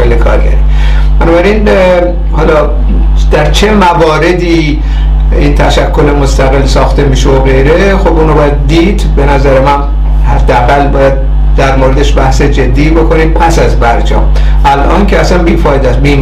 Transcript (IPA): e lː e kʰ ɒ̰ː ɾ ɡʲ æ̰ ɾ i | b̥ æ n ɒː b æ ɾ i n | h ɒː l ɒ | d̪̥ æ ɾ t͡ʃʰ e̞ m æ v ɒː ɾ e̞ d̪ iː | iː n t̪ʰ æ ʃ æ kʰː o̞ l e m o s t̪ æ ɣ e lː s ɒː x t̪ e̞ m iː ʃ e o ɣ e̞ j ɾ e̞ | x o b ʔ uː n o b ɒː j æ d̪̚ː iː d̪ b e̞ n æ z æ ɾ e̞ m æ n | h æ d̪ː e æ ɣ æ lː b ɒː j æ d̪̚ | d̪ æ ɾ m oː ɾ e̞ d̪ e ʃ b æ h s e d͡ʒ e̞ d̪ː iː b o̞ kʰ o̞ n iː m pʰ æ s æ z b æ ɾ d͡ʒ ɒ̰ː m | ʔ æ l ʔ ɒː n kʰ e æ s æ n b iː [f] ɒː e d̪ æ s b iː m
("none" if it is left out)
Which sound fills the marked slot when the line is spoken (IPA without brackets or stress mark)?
f